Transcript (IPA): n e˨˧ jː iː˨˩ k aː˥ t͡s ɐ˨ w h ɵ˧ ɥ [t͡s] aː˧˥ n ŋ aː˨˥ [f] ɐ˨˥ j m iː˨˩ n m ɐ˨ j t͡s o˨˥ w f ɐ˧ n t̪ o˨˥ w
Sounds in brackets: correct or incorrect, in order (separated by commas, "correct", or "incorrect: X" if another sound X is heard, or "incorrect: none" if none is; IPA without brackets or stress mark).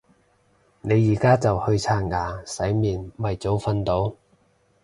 incorrect: t͡sʰ, incorrect: s